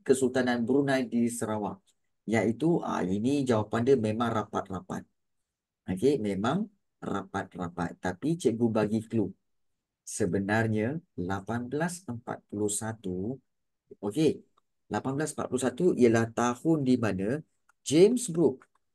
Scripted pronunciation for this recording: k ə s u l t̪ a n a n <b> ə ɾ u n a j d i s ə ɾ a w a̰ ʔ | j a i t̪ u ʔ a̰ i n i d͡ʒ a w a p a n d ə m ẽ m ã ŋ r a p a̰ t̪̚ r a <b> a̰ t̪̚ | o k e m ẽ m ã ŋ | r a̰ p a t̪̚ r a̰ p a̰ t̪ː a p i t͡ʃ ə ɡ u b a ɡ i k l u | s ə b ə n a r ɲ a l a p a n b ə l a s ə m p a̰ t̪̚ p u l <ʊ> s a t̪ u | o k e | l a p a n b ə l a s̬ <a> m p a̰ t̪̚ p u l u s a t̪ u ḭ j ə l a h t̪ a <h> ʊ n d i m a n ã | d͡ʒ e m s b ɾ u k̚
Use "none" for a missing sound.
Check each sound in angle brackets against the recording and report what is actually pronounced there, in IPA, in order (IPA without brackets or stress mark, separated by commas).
b, p, u, ə, h